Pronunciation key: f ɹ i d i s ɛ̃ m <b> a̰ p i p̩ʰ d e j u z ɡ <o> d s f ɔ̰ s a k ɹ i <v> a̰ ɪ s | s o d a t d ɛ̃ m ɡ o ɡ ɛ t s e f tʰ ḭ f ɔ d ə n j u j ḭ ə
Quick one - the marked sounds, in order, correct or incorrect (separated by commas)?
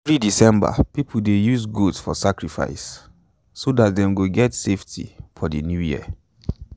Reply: correct, incorrect, incorrect